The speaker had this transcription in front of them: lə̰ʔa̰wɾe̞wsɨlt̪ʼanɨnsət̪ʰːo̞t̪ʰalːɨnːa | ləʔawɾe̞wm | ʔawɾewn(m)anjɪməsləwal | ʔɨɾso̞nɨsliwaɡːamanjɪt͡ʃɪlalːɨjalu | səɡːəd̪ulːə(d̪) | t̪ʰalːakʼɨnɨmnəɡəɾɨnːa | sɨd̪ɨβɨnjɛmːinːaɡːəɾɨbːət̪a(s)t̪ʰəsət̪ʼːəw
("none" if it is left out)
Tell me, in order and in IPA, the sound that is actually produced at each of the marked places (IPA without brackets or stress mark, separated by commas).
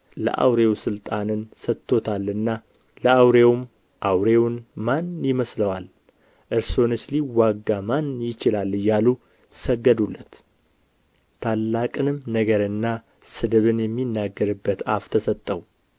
m, t̪, f